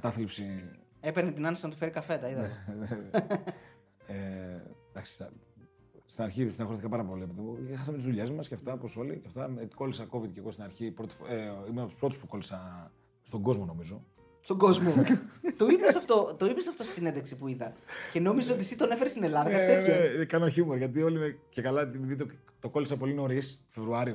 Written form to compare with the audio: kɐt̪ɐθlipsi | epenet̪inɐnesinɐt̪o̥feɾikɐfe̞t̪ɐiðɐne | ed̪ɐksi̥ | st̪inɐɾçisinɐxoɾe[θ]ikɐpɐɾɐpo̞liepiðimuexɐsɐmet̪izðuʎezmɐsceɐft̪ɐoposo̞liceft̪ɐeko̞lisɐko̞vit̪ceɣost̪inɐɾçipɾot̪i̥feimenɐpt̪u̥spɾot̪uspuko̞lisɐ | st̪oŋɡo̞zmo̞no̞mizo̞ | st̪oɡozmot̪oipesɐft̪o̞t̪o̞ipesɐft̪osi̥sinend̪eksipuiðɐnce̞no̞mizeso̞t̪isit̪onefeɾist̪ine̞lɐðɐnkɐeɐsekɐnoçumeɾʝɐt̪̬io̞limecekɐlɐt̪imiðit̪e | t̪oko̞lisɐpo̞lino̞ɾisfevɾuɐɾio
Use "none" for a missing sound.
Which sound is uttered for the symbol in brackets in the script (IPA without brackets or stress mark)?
θ